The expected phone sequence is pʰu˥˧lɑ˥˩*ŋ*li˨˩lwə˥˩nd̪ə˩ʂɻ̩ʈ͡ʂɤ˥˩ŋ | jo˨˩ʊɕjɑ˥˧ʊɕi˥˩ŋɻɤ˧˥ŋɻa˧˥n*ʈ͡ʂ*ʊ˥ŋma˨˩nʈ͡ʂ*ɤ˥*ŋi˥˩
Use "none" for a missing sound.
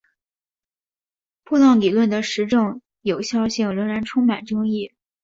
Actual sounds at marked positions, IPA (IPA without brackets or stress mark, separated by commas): ŋ, ʈ͡ʂʰ, ɤ˥